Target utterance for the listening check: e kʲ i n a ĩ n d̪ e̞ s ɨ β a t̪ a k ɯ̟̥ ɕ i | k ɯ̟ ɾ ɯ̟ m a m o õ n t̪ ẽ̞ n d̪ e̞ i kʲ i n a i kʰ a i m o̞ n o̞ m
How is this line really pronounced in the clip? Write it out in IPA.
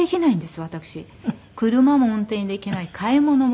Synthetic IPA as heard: e kʲ i n a ĩ n d̪ e̞ s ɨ β a t̪ a k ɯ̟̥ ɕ i | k ɯ̟ ɾ ɯ̟ m a m o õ n t̪ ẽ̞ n d̪ e̞ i kʲ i n a i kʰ a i m o̞ n o̞ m